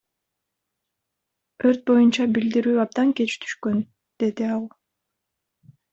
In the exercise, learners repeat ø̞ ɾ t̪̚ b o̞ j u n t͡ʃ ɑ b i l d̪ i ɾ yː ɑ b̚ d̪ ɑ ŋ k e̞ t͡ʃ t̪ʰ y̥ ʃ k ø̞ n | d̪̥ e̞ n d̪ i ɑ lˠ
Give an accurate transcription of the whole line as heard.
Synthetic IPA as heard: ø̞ ɾ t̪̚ b o̞ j u n t͡ʃ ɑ b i l d̪ i ɾ yː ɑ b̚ d̪ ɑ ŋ k e̞ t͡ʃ t̪ʰ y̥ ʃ k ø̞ n | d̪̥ e̞ d̪ i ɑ lˠ